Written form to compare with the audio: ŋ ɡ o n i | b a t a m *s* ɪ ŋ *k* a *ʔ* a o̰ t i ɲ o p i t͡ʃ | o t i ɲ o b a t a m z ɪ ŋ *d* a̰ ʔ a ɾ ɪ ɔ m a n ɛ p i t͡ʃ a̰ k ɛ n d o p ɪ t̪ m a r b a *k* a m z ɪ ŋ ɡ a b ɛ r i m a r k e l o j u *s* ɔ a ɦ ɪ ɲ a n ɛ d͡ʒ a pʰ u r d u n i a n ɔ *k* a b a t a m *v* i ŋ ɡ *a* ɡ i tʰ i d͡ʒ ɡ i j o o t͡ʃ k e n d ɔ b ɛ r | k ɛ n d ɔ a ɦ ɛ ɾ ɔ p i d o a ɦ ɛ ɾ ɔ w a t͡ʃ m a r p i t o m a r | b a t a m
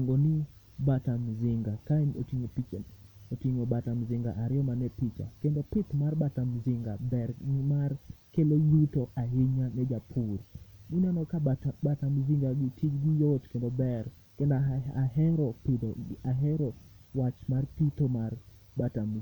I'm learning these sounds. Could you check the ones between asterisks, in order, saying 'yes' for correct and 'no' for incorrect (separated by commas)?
no, no, no, no, no, no, yes, no, yes